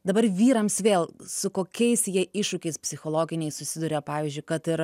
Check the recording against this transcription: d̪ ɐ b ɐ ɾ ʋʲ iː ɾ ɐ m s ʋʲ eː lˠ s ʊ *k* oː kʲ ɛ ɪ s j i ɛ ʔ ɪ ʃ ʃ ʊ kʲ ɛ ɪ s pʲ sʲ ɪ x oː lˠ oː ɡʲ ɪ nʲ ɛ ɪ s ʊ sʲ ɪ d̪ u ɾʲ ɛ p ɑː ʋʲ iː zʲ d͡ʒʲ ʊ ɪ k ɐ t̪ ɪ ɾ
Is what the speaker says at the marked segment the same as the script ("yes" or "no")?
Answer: yes